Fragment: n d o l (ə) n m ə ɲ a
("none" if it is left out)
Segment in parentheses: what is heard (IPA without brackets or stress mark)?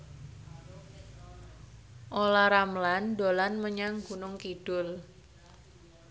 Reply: a